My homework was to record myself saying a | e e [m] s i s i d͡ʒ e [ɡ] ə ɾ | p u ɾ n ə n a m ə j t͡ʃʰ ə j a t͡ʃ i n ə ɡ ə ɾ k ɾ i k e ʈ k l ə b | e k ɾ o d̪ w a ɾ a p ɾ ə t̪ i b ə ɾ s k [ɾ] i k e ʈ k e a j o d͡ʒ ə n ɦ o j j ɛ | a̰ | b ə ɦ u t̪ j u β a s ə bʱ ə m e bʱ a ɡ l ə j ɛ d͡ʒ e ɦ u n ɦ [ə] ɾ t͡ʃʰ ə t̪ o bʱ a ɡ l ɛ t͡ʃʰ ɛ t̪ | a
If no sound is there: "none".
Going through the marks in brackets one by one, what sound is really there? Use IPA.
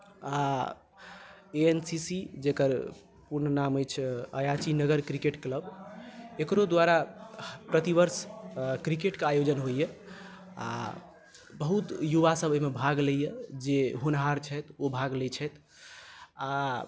n, k, ɾ, a

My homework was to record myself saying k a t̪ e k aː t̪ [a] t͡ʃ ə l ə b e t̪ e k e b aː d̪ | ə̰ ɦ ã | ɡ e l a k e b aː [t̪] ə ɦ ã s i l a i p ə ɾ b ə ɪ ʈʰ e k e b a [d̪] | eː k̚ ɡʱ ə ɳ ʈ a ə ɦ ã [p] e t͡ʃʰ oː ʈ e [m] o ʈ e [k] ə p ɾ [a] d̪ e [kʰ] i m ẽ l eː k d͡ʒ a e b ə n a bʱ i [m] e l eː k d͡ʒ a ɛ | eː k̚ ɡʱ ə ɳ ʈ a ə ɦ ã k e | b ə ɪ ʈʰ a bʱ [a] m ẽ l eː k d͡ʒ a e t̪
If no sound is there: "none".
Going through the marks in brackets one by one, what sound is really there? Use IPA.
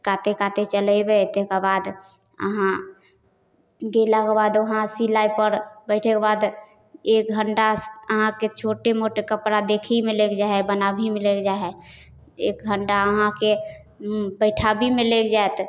e, d̪, d̪, k, m, k, a, kʰ, m, i

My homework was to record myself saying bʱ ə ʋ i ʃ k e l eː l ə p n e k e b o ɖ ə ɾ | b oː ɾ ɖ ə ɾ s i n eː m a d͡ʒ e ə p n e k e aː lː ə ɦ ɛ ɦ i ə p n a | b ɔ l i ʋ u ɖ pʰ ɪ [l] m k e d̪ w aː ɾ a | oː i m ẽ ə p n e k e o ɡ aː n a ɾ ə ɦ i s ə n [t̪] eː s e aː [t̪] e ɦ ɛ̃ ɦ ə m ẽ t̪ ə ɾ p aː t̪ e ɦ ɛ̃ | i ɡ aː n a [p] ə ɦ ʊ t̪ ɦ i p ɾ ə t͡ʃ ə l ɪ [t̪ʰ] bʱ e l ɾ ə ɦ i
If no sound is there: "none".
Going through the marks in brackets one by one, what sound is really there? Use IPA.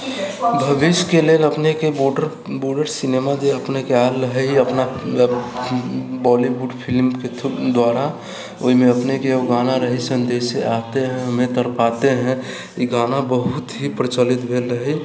l, d̪, t̪, b, t̪

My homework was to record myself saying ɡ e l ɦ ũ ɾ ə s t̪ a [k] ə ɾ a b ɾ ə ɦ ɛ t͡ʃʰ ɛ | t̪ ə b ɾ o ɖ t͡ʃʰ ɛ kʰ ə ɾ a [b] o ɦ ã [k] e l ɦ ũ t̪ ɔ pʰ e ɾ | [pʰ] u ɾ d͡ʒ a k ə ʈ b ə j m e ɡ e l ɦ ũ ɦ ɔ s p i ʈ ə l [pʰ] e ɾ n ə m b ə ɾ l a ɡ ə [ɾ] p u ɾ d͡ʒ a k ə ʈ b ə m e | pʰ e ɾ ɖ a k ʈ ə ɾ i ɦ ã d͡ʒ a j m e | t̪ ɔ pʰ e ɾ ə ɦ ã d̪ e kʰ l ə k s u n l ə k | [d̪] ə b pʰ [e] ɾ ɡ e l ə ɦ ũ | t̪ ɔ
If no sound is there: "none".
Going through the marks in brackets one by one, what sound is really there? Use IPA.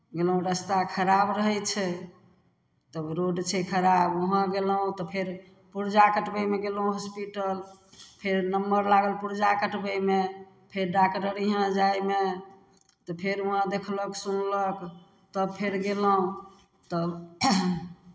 kʰ, b, ɡ, p, pʰ, l, t̪, e

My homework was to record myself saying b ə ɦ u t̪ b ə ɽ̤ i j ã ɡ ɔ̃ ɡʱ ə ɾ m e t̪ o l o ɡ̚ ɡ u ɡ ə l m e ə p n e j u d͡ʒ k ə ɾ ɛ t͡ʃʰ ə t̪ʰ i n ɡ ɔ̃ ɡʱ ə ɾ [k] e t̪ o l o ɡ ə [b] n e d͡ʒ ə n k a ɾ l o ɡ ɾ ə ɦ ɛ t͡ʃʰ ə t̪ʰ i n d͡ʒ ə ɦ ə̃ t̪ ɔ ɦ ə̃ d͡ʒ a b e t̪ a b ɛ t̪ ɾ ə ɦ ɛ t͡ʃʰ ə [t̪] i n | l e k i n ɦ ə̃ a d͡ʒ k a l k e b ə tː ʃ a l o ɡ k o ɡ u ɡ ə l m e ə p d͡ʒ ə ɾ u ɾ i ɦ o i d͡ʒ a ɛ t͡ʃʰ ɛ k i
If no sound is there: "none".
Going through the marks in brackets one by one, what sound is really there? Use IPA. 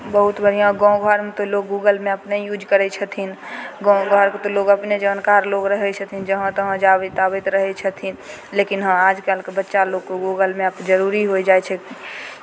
k, p, t̪ʰ

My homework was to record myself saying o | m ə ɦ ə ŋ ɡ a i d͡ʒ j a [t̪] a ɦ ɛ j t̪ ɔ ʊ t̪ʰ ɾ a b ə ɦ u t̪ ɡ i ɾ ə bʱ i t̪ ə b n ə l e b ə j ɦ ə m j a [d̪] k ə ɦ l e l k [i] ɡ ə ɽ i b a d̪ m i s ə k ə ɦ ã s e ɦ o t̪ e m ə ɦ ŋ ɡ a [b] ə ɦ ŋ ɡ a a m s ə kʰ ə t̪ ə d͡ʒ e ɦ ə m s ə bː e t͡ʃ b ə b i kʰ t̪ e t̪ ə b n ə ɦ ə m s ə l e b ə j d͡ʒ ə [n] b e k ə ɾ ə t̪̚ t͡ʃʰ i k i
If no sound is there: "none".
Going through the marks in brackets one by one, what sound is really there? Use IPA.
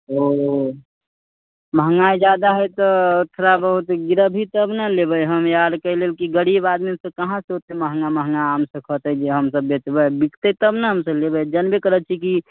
d̪, d̪, i, m, n

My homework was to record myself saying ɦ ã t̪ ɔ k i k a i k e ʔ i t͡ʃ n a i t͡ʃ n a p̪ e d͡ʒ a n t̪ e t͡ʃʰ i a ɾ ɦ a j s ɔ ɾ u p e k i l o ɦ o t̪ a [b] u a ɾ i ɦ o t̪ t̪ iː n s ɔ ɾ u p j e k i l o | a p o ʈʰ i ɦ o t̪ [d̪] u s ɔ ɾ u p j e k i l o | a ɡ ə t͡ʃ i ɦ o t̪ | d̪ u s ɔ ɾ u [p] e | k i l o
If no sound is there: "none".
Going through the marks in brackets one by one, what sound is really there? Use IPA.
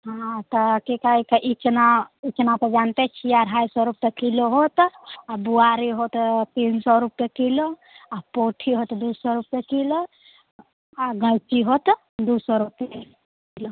b, d̪, p

